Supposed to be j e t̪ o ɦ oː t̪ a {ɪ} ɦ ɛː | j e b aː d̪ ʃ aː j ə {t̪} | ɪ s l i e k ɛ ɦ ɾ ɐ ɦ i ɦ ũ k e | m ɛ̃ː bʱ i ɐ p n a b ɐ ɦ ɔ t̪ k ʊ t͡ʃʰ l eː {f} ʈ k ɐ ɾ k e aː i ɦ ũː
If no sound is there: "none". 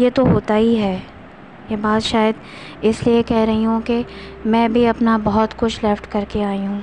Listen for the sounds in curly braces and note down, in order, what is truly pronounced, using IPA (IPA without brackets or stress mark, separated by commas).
i, d̪, f